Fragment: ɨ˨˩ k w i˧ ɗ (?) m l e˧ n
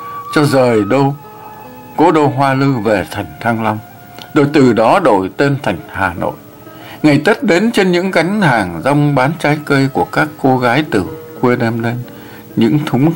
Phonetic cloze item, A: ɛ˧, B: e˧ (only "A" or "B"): A